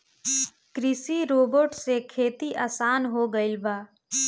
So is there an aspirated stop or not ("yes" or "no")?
yes